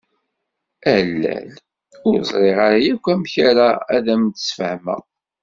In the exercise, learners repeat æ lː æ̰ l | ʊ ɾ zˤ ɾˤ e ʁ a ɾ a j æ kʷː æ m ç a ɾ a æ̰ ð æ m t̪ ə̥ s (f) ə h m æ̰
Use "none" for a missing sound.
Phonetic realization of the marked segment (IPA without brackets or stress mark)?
f